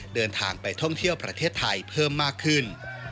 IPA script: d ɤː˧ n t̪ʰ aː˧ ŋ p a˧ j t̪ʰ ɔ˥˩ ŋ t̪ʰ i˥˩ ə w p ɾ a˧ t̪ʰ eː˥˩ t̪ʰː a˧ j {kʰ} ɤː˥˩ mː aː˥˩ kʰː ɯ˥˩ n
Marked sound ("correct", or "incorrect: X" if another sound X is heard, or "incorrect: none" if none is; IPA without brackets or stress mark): incorrect: pʰ